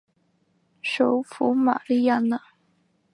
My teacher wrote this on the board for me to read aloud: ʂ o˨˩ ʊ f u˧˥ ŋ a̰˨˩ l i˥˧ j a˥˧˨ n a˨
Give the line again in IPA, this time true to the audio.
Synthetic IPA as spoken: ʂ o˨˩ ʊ f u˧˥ m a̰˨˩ l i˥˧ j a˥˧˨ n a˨